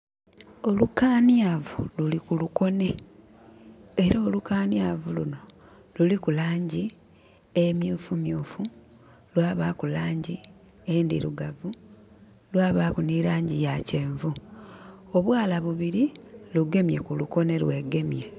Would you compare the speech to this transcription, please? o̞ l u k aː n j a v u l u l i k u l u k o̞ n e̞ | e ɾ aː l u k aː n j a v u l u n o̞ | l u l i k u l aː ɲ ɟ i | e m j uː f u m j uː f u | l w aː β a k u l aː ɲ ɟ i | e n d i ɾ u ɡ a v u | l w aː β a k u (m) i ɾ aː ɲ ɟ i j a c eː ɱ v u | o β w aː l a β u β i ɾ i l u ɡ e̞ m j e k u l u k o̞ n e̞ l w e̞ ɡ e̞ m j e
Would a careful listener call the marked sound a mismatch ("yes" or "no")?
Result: yes